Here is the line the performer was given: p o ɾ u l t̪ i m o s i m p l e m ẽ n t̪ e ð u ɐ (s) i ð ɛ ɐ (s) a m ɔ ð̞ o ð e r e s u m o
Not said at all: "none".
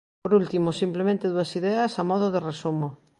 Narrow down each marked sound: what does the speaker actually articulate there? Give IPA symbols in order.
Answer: s, s

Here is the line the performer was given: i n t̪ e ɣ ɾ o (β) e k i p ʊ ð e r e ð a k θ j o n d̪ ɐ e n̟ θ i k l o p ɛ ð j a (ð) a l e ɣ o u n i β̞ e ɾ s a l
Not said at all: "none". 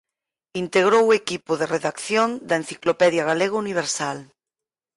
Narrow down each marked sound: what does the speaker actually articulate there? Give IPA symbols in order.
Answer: w, ɣ

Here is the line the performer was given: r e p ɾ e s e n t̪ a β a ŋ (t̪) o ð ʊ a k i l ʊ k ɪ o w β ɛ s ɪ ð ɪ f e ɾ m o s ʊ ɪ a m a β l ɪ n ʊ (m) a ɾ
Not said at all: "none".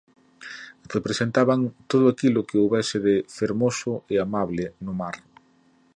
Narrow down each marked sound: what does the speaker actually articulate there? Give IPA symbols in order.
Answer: t̪, m

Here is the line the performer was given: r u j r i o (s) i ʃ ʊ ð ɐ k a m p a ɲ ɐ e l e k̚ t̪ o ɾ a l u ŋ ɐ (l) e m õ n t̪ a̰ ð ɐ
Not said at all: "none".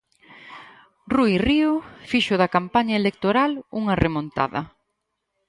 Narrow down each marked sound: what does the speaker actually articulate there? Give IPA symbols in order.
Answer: f, r

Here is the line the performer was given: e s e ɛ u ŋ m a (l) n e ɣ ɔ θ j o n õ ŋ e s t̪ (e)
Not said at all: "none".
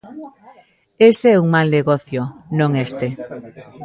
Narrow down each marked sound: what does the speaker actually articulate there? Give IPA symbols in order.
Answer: l, e

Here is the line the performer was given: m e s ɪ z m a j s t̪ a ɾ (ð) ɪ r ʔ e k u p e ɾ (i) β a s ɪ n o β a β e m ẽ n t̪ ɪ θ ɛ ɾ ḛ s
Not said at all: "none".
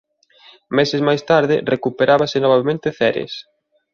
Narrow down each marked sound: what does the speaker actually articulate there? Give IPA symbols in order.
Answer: ð, a

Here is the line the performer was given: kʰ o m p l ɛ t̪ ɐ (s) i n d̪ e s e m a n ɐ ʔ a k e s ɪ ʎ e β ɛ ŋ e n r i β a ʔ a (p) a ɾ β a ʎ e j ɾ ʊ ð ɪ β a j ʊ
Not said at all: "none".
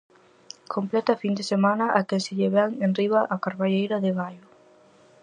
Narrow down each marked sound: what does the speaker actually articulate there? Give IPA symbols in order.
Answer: f, k

